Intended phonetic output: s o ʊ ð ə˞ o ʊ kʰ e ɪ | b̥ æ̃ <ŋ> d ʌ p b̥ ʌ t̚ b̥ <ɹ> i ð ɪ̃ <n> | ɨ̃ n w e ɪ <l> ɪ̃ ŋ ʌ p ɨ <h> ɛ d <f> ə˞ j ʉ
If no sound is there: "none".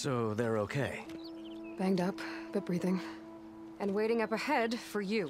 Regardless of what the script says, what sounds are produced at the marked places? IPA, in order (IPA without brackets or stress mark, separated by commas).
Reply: ŋ, ɹ, ŋ, ɾ, h, f